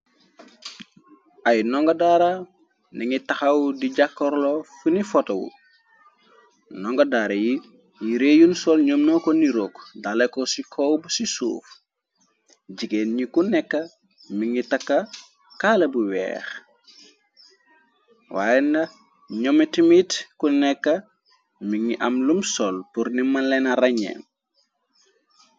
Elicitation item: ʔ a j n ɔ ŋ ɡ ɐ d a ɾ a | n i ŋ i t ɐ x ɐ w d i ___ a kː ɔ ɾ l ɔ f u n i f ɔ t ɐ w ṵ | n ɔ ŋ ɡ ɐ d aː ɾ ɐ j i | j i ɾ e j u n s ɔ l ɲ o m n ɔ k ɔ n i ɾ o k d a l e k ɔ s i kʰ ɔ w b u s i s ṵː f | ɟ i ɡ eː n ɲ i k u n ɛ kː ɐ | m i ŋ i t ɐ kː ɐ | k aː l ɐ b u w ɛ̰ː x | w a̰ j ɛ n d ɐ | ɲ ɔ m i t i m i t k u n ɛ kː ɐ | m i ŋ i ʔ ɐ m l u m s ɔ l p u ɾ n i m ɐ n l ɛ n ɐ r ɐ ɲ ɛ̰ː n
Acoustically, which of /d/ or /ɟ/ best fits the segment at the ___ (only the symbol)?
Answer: ɟ